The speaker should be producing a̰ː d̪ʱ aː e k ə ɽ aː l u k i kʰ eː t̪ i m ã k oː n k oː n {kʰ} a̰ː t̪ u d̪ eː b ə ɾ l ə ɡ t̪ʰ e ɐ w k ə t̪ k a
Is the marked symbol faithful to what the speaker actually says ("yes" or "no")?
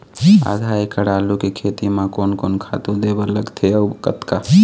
yes